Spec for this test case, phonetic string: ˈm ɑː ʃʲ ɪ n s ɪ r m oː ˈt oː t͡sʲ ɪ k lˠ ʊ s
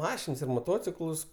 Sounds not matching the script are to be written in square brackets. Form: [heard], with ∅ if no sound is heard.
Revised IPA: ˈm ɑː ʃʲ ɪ n s ɪ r m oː ˈt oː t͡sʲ ɪ k lˠ ʊ s